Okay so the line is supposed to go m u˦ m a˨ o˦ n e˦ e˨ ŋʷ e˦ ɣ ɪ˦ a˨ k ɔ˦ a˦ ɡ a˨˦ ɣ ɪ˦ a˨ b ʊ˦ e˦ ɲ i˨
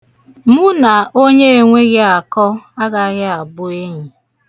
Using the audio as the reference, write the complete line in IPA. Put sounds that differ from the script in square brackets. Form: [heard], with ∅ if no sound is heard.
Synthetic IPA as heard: m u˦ [n] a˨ o˦ [ɲ] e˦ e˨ ŋʷ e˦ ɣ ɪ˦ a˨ k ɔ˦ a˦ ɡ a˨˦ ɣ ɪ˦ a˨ b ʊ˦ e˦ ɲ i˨